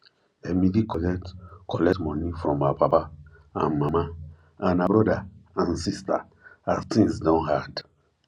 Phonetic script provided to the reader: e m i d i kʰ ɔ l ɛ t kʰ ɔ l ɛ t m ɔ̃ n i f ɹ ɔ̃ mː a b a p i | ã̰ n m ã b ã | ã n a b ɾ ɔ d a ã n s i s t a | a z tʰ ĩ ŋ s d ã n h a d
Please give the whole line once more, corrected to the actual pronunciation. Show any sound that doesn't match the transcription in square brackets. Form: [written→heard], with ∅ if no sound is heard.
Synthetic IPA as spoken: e m i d i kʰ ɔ l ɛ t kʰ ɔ l ɛ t m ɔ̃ n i f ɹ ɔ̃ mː a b a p [i→a] | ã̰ n m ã [b→m] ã | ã n a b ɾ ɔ d a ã n s i s t a | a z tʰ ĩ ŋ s d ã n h a d